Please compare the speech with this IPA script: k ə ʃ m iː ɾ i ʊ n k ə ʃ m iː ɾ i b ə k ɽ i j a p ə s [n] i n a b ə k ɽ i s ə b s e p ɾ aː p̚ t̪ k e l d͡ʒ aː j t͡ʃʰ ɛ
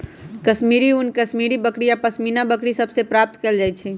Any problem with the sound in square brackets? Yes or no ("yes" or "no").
yes